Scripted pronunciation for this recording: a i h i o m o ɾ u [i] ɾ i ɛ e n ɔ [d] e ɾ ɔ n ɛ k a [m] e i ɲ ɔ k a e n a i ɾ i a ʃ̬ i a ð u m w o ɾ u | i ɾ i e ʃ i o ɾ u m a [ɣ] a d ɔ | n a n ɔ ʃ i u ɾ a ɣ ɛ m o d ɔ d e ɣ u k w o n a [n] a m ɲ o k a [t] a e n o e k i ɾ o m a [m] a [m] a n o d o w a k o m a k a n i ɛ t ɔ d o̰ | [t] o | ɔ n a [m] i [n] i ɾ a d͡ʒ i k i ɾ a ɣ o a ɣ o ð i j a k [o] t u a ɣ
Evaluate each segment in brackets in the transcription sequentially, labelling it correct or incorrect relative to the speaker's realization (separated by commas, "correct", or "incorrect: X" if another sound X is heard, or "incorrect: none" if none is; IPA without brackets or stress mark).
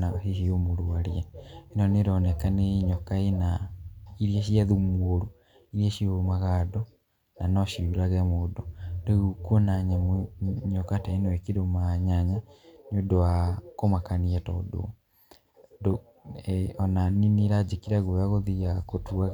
incorrect: a, incorrect: n, incorrect: n, correct, incorrect: ɲ, correct, incorrect: ɲ, incorrect: ɲ, incorrect: d, incorrect: n, correct, correct